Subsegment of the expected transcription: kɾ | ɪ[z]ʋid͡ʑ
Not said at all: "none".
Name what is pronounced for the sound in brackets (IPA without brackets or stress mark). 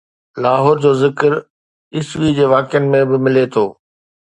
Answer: s